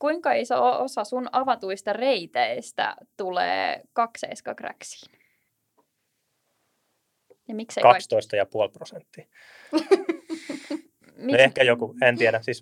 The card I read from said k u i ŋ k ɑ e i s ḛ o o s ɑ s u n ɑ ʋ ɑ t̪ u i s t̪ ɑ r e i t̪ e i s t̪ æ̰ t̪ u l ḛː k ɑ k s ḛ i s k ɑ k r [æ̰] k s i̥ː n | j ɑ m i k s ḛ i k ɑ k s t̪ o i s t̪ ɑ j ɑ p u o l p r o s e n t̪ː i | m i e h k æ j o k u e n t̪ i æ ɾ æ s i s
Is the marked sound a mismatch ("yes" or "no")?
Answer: no